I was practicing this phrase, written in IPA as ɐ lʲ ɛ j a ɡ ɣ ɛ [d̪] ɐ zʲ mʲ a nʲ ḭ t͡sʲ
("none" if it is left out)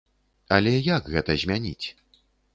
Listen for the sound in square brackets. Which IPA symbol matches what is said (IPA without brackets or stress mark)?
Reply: t̪